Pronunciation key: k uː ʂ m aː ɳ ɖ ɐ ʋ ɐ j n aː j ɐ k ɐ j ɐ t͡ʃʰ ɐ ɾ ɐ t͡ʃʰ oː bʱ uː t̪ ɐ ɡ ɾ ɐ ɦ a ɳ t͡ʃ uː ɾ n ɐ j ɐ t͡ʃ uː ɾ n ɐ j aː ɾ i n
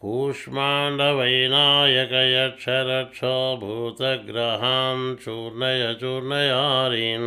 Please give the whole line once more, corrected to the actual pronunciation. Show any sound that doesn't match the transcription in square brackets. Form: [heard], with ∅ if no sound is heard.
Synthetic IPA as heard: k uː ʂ m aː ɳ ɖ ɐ ʋ ɐ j n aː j ɐ k ɐ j ɐ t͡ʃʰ ɐ ɾ ɐ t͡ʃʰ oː bʱ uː t̪ ɐ ɡ ɾ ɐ ɦ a [m] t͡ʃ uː ɾ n ɐ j ɐ t͡ʃ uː ɾ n ɐ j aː ɾ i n